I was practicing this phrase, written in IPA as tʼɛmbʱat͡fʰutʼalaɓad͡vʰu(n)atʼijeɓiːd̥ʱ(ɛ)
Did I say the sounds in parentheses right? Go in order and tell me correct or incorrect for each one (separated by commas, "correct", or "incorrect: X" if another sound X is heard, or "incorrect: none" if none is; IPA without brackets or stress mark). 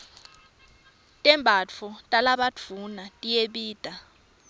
correct, incorrect: a